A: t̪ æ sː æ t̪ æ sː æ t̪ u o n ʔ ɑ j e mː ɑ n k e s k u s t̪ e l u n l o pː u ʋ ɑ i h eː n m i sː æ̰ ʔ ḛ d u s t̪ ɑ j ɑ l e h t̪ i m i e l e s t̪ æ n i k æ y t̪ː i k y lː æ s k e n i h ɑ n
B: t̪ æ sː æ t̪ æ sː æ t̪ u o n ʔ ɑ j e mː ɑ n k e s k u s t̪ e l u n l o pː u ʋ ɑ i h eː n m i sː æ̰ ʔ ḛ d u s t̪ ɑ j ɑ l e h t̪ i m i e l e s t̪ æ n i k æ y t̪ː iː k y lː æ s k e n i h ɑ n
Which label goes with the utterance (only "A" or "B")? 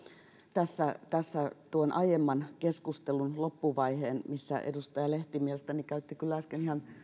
A